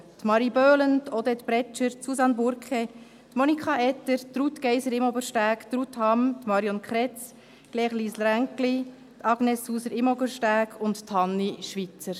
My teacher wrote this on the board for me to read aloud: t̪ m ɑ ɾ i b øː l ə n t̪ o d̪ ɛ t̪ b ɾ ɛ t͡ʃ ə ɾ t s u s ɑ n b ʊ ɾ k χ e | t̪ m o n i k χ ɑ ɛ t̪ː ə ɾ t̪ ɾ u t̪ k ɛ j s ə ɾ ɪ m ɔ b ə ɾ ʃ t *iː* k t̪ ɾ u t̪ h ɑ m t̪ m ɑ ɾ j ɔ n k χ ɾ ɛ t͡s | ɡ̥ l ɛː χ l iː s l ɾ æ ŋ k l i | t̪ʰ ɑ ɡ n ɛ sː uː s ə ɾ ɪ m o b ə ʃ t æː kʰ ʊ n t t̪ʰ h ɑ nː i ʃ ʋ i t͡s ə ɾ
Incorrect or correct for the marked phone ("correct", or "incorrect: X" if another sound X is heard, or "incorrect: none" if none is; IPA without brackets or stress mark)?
incorrect: æː